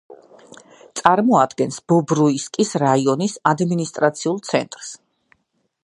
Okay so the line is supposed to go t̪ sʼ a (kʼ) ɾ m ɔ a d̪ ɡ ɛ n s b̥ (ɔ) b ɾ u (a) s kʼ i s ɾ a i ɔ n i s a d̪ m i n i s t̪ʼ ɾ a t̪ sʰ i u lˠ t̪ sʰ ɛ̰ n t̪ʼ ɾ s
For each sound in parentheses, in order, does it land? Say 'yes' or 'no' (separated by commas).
no, yes, no